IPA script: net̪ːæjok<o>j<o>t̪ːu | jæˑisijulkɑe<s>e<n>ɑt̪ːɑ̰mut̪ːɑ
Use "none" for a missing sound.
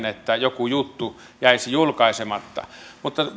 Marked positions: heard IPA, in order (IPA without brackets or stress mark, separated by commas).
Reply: u, u, s, m